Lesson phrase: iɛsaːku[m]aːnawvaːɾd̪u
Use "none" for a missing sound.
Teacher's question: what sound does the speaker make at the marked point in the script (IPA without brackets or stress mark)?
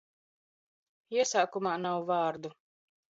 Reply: m